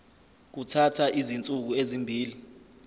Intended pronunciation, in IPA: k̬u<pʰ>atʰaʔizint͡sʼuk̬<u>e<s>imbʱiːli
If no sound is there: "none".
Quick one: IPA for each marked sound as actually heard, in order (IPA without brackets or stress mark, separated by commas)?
tʰ, u, z